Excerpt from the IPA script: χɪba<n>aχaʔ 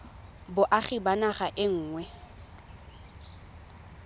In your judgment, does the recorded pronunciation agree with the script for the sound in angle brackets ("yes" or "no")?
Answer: yes